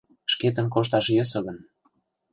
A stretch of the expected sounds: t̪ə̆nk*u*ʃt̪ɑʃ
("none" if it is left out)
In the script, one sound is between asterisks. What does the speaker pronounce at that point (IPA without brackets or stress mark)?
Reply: o